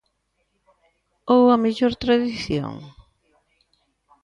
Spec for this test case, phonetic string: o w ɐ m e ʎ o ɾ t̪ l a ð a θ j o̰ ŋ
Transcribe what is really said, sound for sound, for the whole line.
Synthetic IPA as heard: o w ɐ m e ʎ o ɾ t̪ ɾ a ð i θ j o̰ ŋ